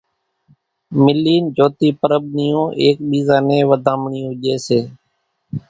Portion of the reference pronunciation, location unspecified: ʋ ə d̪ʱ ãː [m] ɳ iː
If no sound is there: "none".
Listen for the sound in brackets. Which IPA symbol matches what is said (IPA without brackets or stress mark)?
m